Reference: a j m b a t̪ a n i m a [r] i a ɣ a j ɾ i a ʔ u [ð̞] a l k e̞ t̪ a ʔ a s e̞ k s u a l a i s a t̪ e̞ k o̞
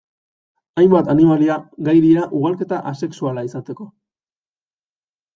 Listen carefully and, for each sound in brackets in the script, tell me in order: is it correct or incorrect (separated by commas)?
incorrect, incorrect